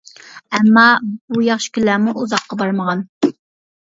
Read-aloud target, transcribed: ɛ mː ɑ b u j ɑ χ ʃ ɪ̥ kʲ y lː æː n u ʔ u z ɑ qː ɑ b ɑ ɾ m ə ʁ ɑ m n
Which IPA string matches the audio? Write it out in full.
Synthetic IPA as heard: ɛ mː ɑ b u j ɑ χ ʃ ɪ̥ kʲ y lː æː m u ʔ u z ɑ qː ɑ b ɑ ɾ m ə ʁ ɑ n